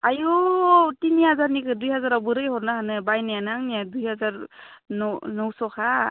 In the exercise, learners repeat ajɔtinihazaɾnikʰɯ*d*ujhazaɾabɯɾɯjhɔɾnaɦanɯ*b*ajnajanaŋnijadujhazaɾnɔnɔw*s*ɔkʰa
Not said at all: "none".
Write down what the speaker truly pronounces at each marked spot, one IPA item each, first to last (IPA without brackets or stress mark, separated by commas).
d, b, s